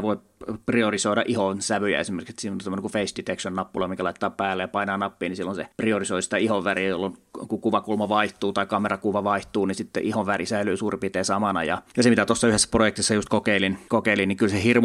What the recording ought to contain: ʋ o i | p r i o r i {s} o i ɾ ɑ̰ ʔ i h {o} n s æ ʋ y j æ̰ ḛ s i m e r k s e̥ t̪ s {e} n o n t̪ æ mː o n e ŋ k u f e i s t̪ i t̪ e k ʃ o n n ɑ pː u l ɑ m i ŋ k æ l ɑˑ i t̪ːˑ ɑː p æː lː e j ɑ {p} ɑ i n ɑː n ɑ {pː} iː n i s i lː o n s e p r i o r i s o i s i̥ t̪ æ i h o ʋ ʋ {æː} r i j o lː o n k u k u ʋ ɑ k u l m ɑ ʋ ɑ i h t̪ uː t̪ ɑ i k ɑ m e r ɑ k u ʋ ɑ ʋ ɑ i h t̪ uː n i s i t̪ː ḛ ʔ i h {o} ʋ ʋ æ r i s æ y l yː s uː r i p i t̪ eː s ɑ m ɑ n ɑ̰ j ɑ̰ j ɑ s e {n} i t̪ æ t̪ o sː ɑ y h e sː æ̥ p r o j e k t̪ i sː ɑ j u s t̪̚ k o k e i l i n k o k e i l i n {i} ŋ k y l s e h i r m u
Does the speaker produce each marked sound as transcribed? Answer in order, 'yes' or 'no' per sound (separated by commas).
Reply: yes, yes, no, yes, yes, no, yes, no, yes